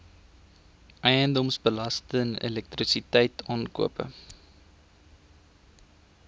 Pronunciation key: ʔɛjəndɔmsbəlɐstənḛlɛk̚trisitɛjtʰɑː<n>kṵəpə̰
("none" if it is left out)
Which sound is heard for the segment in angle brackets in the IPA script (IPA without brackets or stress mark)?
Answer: n